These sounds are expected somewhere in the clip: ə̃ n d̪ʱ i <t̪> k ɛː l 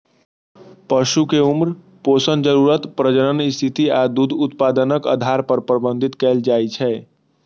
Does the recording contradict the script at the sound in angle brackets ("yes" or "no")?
no